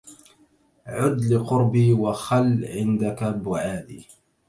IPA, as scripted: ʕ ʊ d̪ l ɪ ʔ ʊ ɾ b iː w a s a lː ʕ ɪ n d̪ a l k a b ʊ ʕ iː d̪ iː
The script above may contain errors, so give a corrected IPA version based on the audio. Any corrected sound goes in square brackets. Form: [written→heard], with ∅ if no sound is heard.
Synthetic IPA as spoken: ʕ ʊ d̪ l ɪ [ʔ→q] ʊ ɾ b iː w a [s→x] a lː ʕ ɪ n d̪ a [l→∅] k a b ʊ ʕ [iː→aː] d̪ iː